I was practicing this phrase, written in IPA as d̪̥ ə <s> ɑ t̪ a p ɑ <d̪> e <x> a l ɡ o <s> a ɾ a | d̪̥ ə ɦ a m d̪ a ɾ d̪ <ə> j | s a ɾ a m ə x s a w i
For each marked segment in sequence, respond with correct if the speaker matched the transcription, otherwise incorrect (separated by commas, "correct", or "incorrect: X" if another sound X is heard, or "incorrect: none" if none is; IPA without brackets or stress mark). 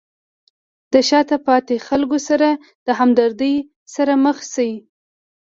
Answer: incorrect: ʃ, incorrect: t̪, correct, correct, correct